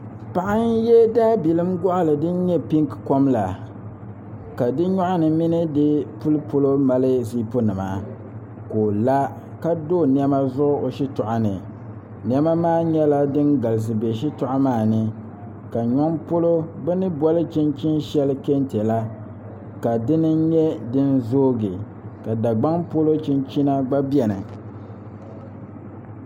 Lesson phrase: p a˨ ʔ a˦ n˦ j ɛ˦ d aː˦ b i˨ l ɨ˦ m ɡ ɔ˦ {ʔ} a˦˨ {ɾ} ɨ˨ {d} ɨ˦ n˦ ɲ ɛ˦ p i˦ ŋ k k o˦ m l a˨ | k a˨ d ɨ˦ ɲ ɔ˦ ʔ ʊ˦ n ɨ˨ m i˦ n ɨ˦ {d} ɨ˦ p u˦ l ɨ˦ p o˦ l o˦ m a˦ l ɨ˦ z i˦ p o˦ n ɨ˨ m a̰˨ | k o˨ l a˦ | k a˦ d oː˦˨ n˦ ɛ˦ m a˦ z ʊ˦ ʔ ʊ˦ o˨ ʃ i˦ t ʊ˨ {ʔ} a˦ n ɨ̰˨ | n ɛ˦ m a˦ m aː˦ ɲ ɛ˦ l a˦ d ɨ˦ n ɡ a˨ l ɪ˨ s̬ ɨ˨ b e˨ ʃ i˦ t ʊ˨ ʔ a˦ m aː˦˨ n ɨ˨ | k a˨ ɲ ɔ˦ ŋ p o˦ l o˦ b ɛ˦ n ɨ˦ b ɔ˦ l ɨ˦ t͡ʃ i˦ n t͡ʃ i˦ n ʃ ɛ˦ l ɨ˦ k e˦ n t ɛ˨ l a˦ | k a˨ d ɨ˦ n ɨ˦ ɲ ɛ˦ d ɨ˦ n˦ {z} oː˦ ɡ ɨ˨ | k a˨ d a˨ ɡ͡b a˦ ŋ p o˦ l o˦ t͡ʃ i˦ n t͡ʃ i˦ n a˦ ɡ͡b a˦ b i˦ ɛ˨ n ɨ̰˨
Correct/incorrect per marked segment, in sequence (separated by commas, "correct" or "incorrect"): correct, incorrect, correct, correct, correct, correct